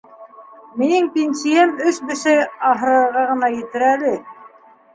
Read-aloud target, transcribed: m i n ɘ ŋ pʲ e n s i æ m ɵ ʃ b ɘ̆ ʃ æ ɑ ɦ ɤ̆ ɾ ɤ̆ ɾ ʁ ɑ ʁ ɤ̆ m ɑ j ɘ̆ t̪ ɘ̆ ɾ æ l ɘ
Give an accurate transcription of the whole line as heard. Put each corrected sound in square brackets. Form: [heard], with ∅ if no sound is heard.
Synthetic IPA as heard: m i n ɘ ŋ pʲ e n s i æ m ɵ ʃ b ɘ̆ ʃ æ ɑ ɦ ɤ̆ ɾ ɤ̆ ɾ ʁ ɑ ʁ ɤ̆ [n] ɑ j ɘ̆ t̪ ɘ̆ ɾ æ l ɘ

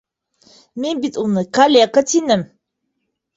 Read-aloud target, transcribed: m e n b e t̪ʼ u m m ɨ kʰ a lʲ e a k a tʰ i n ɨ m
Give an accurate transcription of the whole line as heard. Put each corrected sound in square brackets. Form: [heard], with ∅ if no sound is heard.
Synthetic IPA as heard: m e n b [i] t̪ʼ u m [n] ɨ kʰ a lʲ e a k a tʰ i n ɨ m

